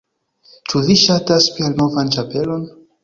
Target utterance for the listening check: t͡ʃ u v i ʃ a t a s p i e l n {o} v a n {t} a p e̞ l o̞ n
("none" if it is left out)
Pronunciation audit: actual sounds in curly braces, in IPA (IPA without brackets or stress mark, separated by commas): o, t͡ʃ